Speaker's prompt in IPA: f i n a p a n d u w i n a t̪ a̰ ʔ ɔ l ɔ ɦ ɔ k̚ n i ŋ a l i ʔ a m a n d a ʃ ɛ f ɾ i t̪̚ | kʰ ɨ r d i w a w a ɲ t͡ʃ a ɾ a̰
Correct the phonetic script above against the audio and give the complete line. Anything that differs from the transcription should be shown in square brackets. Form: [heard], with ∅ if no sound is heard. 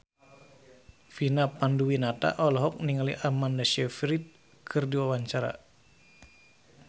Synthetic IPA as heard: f i n a p a n d u w i n a t̪ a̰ ʔ ɔ l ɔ ɦ ɔ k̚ n i ŋ a l i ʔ a m a n d a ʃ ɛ f ɾ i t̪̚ | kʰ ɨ r d i w a w a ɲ t͡ʃ a ɾ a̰